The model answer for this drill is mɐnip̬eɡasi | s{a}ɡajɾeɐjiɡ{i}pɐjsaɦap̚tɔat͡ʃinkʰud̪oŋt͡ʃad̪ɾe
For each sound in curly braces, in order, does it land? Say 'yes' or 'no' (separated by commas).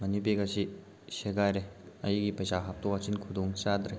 no, yes